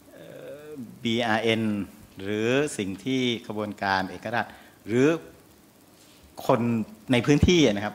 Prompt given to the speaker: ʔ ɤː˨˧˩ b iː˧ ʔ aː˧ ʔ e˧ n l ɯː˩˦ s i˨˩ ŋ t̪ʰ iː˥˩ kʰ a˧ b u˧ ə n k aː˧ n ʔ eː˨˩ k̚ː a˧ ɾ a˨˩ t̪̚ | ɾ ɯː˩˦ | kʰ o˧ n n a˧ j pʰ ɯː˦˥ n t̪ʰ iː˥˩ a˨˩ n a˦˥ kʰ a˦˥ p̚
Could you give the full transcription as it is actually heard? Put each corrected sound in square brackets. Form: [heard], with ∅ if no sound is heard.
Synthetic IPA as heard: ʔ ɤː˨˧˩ b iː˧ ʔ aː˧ ʔ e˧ n [ɾ] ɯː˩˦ s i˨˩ ŋ t̪ʰ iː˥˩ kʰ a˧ b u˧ ə n k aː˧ n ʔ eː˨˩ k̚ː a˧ ɾ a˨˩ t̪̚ | ɾ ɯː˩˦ | kʰ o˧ n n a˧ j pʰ ɯː˦˥ n t̪ʰ iː˥˩ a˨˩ n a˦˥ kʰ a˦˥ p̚